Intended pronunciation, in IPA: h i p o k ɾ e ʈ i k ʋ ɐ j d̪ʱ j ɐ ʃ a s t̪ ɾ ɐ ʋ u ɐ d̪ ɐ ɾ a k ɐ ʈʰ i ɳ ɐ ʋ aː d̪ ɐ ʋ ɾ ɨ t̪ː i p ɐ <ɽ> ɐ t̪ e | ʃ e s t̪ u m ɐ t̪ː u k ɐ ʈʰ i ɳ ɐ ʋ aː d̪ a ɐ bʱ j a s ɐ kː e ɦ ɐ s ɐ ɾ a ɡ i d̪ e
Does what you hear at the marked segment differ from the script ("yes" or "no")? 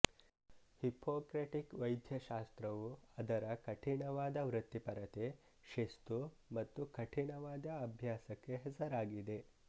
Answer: yes